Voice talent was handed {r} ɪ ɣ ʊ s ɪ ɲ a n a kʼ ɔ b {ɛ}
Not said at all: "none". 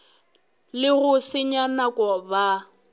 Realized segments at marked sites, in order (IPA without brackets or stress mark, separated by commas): l, a